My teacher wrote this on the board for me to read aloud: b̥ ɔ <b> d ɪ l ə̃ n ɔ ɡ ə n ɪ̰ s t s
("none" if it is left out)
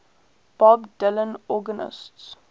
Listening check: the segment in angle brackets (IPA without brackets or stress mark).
b